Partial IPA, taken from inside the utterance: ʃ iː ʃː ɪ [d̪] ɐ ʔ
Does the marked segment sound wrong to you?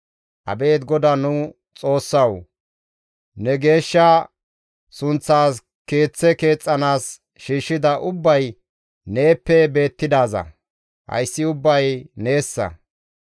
no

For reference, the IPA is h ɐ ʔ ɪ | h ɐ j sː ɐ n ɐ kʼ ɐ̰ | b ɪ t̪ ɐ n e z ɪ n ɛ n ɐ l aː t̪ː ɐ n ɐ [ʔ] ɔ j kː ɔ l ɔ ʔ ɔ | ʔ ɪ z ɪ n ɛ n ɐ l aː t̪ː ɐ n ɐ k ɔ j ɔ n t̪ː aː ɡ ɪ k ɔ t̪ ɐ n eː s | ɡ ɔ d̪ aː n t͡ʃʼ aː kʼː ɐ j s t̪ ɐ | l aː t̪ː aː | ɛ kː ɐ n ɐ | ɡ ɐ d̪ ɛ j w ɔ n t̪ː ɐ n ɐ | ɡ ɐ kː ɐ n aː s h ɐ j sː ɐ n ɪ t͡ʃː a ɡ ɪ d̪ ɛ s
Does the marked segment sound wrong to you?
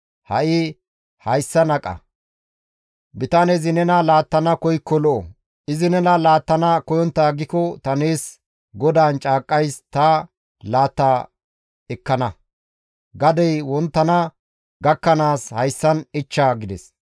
yes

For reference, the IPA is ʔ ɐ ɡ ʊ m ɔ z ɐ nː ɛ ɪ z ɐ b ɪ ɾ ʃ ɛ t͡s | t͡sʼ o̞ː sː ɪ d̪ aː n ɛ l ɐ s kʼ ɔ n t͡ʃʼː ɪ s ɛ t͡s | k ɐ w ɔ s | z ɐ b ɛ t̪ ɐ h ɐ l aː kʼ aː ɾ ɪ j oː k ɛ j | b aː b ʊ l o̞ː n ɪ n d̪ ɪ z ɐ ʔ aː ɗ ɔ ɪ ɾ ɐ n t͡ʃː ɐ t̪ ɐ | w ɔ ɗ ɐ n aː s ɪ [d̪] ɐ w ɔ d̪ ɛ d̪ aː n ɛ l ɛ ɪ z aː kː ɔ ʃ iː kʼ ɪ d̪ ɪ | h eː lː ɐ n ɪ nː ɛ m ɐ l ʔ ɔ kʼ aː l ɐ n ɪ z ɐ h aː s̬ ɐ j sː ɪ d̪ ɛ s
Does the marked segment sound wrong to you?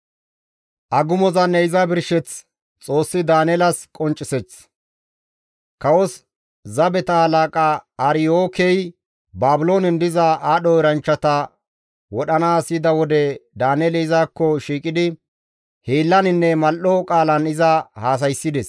no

